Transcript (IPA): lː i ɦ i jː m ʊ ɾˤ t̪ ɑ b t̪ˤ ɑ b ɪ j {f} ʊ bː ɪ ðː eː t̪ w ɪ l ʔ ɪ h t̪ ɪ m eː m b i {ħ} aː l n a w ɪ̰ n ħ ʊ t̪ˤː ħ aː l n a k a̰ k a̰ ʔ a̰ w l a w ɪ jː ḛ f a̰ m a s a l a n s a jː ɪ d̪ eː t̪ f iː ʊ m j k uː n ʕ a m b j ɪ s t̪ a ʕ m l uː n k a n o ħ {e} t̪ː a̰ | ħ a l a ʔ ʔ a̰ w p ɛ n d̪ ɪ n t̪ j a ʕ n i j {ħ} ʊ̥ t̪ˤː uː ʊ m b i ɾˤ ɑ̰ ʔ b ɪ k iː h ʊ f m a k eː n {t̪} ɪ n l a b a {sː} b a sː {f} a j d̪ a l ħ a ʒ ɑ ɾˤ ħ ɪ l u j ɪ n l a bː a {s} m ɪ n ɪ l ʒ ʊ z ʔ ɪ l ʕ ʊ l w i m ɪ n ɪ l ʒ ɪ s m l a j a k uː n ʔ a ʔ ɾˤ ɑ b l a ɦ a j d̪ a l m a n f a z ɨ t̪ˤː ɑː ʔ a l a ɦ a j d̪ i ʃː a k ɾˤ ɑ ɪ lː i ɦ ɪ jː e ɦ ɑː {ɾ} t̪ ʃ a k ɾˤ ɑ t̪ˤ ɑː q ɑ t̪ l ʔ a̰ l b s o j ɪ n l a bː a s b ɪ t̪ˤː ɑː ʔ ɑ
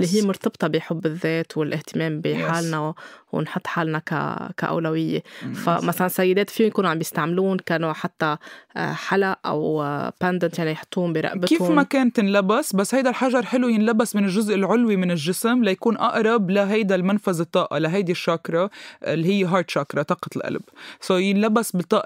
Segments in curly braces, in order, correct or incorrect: incorrect: ħ, correct, incorrect: a, correct, correct, incorrect: s, incorrect: h, correct, correct

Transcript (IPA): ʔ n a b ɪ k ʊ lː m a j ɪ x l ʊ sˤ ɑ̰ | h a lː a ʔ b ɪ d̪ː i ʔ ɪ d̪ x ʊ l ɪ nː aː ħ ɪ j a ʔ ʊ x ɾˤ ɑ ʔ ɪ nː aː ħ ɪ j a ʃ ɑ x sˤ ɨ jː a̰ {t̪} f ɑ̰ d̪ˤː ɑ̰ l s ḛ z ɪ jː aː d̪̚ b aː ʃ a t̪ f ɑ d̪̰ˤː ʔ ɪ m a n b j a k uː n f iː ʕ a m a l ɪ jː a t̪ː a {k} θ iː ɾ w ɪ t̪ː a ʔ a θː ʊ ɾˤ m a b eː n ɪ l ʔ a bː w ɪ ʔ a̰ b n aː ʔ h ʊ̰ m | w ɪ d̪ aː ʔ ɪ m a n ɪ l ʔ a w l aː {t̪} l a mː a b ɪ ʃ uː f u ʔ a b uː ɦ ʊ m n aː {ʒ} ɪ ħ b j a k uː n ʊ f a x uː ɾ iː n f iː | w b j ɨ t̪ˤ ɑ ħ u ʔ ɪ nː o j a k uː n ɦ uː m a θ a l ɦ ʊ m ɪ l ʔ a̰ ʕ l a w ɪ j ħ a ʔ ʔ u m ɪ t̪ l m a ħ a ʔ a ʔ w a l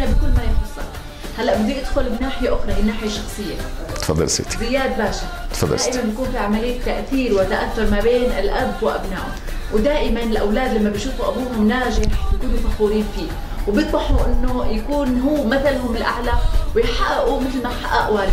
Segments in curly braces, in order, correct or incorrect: correct, incorrect: ʔ, incorrect: d̪, correct

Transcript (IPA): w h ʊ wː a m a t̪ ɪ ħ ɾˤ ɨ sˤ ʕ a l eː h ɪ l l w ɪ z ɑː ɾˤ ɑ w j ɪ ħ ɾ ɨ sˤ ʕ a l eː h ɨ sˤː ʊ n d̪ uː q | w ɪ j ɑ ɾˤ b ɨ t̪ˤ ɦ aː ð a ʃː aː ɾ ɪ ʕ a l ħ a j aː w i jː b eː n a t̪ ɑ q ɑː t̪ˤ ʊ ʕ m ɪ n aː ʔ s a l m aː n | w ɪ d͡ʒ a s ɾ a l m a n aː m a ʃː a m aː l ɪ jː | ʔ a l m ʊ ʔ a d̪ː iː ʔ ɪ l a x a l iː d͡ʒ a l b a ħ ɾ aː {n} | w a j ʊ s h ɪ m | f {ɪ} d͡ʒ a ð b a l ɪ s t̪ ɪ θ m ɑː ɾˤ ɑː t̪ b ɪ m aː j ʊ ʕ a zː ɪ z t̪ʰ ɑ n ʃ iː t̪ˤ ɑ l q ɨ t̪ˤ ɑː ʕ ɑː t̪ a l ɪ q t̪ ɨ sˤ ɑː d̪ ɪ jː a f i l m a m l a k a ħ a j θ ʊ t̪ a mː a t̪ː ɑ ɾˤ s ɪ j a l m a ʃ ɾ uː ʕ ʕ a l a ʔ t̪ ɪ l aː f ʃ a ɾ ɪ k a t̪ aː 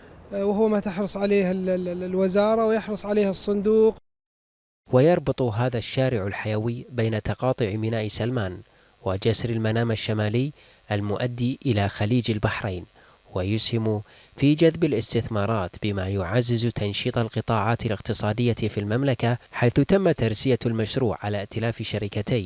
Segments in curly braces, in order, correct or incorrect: correct, incorrect: i

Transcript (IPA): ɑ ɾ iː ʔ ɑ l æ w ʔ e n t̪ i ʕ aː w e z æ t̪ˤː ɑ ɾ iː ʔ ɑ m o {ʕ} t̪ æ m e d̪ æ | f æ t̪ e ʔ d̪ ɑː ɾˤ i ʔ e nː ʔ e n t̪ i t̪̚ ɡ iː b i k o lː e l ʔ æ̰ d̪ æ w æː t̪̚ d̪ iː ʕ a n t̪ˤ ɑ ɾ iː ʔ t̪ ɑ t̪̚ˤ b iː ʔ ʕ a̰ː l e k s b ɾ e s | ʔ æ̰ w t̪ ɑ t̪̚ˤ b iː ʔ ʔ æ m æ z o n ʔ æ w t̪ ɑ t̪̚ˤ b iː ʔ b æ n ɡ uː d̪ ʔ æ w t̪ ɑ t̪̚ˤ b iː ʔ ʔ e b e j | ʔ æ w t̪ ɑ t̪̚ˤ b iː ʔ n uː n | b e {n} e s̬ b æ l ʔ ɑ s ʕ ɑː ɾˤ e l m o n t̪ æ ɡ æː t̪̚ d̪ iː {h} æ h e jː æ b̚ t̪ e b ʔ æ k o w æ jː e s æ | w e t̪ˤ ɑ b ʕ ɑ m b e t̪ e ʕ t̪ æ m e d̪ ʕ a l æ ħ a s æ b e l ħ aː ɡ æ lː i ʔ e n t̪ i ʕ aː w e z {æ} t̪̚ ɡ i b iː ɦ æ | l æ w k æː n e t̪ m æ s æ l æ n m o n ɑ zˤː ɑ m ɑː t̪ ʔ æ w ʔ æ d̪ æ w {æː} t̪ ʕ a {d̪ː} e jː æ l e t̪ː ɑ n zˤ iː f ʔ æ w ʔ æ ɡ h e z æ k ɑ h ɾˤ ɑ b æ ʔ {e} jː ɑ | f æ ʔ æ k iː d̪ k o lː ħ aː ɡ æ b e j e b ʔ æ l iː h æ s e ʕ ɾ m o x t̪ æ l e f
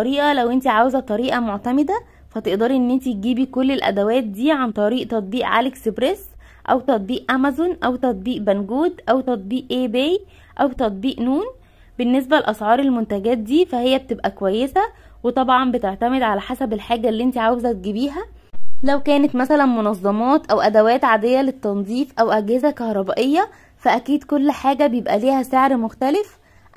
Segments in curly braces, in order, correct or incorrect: correct, incorrect: nː, incorrect: f, correct, correct, incorrect: d̪, correct

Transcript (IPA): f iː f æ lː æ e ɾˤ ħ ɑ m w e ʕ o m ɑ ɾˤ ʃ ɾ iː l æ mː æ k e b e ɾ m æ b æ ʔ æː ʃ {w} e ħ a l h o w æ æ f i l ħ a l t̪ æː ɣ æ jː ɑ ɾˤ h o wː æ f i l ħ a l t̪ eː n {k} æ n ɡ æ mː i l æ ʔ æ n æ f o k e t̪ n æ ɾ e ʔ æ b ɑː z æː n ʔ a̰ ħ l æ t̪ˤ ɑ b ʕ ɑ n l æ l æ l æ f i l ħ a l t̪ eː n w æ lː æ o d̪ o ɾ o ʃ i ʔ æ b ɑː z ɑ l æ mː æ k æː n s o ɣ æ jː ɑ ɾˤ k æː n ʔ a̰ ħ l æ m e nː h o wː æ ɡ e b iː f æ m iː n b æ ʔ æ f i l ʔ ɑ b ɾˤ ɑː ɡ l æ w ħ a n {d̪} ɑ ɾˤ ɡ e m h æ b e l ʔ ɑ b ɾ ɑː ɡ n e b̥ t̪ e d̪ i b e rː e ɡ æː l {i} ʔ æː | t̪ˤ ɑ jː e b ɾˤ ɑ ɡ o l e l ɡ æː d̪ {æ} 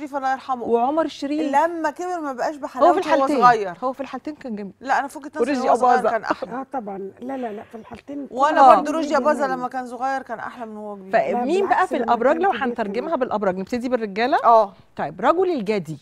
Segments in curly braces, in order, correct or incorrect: incorrect: b, correct, incorrect: t̪, incorrect: æ, incorrect: i

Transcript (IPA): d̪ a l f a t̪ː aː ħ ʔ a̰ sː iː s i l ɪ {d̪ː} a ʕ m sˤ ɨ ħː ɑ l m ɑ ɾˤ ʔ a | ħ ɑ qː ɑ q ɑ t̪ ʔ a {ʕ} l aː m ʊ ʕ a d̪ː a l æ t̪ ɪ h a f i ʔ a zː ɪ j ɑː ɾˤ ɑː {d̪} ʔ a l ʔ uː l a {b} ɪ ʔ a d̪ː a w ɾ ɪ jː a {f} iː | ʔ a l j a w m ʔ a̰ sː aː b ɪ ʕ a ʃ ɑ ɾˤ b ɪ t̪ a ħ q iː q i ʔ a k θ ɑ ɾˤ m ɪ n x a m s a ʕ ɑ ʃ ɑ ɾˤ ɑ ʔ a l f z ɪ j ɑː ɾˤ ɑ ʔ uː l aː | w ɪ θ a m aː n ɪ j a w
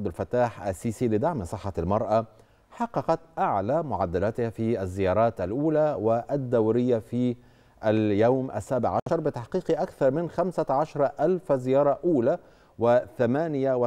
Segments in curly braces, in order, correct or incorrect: incorrect: d̪, correct, incorrect: t̪, incorrect: w, correct

